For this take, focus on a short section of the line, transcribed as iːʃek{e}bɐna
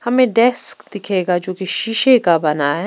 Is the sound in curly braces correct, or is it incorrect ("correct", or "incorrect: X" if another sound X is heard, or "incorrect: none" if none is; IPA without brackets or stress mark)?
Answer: incorrect: a